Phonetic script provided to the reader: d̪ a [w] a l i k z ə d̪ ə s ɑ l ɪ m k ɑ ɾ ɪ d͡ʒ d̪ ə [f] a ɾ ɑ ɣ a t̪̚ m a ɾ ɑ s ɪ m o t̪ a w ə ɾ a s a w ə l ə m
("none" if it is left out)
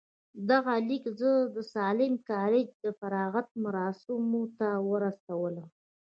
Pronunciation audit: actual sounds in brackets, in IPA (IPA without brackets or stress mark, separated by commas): ɣ, f